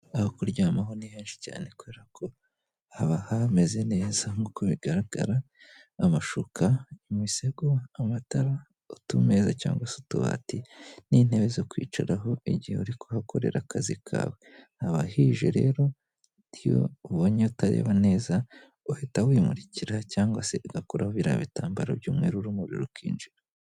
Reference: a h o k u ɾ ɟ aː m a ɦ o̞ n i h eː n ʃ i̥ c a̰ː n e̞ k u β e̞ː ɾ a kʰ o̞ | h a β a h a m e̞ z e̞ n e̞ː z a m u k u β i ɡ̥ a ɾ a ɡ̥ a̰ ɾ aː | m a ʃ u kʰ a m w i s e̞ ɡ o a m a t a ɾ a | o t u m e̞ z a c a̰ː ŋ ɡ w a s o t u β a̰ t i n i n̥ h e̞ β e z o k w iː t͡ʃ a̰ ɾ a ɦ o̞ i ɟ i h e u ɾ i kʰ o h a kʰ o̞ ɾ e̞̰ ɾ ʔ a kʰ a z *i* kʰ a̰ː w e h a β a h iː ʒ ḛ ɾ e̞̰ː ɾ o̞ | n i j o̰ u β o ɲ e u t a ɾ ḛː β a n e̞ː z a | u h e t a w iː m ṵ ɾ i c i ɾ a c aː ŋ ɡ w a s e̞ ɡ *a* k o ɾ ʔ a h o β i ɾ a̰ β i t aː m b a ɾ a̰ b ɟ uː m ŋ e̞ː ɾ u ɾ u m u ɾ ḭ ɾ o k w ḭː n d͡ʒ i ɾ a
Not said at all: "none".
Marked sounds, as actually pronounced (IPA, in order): i, a

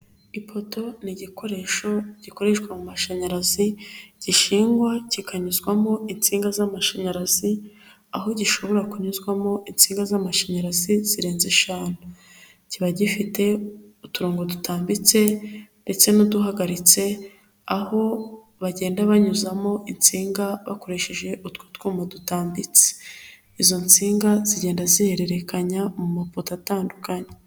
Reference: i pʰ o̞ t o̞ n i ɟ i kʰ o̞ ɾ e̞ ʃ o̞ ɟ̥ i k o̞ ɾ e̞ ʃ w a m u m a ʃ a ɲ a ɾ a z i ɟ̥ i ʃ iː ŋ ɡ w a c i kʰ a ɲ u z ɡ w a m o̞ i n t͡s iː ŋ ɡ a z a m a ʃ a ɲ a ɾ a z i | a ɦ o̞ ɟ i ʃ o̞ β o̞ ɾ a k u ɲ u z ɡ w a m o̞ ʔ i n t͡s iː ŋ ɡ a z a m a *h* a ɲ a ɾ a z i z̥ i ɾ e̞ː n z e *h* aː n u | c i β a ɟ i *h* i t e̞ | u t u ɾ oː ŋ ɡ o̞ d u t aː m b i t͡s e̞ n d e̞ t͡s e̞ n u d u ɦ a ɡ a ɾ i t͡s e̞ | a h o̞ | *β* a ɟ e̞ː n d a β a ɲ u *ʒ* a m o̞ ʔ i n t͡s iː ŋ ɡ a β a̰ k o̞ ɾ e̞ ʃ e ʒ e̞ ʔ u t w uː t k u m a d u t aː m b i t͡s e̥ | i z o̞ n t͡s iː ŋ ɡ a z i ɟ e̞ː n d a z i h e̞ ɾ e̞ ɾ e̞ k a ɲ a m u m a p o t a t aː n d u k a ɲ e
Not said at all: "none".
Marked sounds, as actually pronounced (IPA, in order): ʃ, ʃ, f, β, z

